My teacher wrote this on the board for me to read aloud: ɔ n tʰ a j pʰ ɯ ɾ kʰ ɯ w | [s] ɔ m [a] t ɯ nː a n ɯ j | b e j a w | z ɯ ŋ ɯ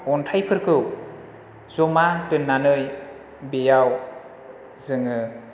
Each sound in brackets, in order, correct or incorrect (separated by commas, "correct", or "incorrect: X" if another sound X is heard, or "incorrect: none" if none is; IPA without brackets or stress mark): incorrect: z, correct